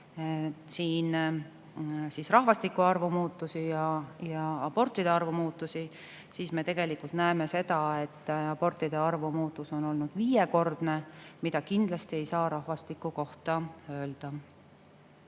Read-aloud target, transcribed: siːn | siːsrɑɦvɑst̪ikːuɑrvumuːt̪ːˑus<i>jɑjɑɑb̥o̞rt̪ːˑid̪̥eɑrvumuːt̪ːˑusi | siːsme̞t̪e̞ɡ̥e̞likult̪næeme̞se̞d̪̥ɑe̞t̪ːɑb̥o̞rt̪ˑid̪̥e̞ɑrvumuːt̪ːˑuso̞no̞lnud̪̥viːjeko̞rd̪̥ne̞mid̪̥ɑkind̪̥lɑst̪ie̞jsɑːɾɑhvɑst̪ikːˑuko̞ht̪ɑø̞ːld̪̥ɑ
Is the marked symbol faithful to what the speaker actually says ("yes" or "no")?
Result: yes